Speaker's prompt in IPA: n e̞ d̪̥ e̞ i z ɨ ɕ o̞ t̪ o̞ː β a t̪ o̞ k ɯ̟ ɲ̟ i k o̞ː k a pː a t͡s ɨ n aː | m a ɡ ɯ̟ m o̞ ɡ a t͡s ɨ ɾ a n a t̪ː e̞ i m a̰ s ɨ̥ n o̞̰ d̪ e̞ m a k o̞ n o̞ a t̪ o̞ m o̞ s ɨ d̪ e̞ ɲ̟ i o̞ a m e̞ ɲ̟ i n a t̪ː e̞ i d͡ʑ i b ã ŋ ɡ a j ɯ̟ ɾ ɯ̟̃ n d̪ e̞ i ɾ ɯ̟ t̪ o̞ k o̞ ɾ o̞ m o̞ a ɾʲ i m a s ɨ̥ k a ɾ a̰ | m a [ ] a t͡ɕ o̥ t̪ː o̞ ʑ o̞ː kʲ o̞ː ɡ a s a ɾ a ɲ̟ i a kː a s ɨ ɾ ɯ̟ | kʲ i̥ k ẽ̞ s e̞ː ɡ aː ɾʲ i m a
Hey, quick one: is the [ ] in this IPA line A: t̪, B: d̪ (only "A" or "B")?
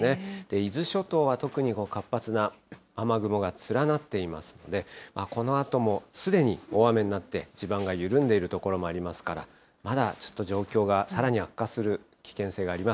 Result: B